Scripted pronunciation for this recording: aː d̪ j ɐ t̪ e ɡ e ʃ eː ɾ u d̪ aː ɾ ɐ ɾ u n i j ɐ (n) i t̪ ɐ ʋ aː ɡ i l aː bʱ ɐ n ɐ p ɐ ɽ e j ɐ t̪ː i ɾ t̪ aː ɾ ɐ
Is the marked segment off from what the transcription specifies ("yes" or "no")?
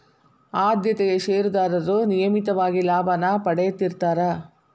yes